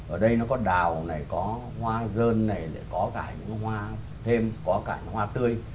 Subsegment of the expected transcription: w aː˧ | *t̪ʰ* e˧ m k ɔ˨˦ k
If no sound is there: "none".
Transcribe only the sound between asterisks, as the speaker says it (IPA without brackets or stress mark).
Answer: t̪ʰ